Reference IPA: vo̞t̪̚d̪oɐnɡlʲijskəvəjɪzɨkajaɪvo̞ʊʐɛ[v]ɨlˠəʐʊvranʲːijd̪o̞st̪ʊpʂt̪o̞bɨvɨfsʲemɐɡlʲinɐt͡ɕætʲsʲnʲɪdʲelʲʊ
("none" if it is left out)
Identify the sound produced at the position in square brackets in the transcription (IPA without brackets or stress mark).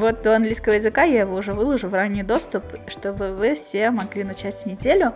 v